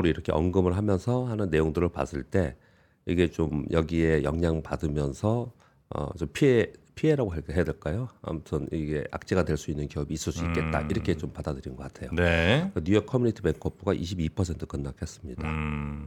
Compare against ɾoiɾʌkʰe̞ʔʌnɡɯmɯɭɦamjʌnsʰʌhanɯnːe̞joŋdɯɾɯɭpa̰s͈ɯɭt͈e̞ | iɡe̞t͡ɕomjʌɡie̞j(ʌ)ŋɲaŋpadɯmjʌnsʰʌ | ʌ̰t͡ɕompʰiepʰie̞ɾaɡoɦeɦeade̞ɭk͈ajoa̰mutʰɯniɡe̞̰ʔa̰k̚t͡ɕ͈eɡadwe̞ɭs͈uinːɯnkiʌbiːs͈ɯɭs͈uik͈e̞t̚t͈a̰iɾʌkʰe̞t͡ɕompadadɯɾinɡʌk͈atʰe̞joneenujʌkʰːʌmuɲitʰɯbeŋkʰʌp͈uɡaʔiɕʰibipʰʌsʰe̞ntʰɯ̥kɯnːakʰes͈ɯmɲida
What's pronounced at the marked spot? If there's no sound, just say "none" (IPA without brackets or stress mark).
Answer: ʌ